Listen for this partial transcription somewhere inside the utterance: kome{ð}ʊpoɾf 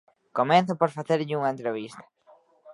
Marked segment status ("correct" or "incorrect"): incorrect